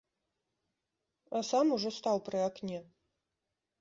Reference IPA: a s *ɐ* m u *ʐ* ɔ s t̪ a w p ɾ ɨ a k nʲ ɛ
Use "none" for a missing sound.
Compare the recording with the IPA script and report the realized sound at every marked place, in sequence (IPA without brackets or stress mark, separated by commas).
a, ʐ